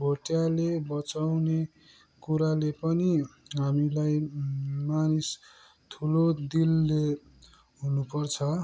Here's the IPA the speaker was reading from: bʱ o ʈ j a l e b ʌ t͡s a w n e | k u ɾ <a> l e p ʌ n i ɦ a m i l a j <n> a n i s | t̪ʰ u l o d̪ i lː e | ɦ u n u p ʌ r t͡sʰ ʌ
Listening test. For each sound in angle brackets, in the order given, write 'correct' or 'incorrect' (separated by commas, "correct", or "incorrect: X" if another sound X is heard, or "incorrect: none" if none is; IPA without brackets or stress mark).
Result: correct, incorrect: m